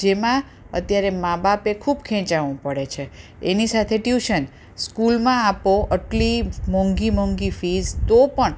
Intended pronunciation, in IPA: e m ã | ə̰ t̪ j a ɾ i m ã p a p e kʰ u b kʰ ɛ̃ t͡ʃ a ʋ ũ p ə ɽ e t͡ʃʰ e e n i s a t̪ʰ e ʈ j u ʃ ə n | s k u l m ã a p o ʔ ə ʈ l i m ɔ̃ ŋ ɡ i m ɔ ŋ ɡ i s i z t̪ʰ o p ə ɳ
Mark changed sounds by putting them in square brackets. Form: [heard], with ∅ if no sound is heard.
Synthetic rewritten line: e m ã | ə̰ t̪ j a ɾ [e] m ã [b] a p e kʰ u b kʰ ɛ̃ t͡ʃ a ʋ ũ p ə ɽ e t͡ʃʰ e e n i s a t̪ʰ e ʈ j u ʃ ə n | s k u l m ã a p o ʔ ə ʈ l i m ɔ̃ ŋ ɡ i m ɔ ŋ ɡ i [f] i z [t̪] o p ə ɳ